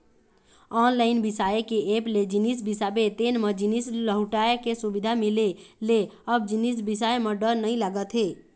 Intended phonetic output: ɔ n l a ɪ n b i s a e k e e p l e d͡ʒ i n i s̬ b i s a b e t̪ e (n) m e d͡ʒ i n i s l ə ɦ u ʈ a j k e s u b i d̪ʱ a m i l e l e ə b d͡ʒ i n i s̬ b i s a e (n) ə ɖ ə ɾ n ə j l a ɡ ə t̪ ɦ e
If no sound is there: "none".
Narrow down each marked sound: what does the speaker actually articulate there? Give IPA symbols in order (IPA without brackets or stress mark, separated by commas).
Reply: n, m